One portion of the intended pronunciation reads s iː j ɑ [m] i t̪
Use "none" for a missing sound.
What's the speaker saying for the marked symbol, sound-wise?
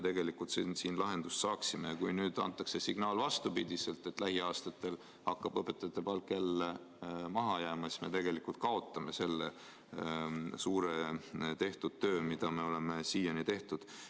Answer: n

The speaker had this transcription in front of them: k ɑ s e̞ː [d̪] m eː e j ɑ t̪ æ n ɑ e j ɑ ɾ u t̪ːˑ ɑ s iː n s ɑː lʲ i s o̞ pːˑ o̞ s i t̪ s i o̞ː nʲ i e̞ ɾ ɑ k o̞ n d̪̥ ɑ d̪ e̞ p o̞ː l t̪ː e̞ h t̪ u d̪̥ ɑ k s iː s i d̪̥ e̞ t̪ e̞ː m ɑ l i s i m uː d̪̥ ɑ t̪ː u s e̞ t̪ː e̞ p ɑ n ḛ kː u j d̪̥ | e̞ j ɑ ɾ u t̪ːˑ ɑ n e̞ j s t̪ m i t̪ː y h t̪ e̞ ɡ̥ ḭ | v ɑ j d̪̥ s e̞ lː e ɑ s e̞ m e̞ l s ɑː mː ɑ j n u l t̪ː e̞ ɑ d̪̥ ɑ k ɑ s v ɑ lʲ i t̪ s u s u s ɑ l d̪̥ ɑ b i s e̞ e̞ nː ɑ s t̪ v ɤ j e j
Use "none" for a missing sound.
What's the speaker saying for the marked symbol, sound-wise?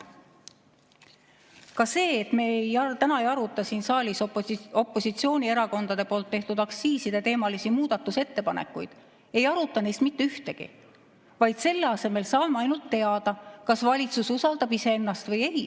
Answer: t̪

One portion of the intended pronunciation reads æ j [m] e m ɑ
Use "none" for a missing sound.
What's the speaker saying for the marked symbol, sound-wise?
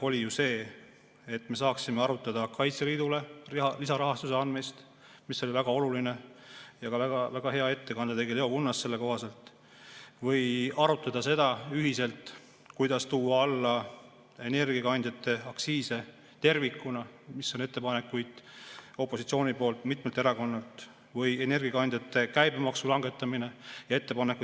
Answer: b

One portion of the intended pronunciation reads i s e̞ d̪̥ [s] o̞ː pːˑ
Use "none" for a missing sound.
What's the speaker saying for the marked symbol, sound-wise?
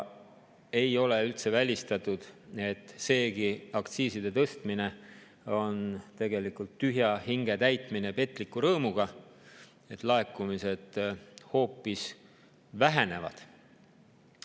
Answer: h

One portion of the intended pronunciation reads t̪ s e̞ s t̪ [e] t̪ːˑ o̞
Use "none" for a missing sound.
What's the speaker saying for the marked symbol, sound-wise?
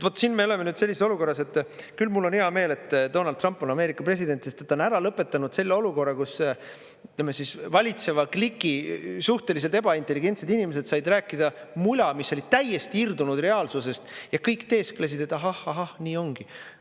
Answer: e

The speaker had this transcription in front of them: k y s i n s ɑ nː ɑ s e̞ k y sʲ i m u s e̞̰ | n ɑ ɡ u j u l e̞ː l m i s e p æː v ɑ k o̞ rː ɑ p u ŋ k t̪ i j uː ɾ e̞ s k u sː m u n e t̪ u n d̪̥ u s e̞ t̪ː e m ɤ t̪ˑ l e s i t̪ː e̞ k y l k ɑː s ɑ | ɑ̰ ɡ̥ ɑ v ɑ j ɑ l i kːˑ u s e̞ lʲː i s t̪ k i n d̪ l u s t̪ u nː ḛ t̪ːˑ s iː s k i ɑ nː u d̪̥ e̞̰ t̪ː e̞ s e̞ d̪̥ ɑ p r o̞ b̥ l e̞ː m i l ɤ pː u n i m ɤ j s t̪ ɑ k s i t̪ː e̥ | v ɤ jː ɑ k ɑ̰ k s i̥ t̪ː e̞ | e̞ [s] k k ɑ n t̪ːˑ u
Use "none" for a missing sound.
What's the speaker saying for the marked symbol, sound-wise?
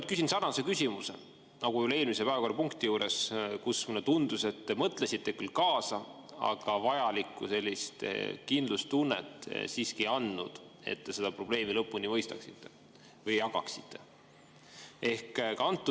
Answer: h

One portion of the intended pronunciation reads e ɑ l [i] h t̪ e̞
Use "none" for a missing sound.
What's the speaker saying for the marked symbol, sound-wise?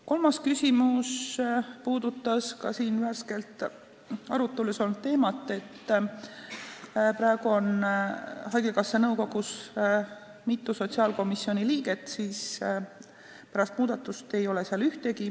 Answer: y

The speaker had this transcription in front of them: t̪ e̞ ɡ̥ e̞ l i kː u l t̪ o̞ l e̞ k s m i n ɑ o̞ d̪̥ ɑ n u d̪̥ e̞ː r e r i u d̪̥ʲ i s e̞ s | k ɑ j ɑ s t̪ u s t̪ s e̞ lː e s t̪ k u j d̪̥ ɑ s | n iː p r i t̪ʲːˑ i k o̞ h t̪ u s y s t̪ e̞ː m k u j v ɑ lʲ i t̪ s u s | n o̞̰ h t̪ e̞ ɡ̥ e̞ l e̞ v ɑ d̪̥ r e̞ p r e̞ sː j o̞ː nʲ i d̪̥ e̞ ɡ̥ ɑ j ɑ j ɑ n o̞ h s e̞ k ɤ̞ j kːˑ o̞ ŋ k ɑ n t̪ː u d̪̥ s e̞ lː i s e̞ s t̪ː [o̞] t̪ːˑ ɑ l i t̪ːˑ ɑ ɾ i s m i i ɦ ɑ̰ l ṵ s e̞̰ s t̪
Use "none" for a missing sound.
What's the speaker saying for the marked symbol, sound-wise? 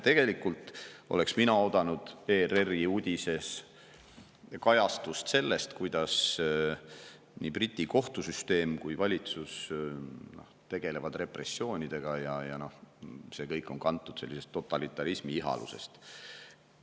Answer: o̞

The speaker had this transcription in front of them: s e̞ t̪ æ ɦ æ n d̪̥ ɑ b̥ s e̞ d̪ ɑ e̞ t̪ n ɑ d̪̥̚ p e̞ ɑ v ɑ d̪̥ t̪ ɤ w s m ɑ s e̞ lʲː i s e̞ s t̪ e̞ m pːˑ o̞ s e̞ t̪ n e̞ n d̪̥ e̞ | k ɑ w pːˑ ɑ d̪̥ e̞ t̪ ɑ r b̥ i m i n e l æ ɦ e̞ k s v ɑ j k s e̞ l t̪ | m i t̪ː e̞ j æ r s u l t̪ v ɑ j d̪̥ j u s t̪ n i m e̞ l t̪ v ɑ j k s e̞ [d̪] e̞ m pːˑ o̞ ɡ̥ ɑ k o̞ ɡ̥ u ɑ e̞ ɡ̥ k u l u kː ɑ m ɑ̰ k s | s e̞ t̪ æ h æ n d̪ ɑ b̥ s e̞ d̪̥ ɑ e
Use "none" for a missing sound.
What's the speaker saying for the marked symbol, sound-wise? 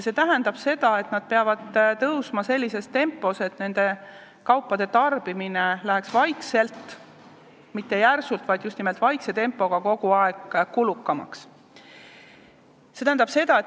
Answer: t̪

